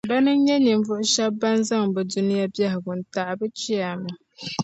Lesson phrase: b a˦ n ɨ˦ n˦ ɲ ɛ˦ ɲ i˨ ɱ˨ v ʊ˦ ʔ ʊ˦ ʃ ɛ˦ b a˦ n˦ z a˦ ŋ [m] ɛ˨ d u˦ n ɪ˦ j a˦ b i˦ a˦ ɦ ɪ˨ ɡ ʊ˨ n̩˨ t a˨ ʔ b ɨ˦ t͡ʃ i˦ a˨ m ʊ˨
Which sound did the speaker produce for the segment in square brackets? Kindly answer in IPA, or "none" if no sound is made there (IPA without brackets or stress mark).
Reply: b